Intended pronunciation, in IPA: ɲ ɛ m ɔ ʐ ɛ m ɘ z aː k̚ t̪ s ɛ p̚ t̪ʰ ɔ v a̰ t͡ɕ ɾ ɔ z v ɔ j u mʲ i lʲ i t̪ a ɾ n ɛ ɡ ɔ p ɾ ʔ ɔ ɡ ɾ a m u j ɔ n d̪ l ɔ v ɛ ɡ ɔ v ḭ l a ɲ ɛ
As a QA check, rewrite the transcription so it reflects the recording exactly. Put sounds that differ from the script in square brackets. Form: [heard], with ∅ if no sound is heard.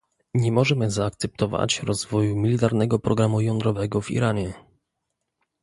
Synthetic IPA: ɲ ɛ m ɔ ʐ ɛ m ɘ z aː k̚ t̪ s ɛ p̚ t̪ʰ ɔ v a̰ t͡ɕ ɾ ɔ z v ɔ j u mʲ i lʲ i t̪ a ɾ n ɛ ɡ ɔ p ɾ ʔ ɔ ɡ ɾ a m u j ɔ n d̪ [ɾ] ɔ v ɛ ɡ ɔ v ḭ [ɾ] a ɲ ɛ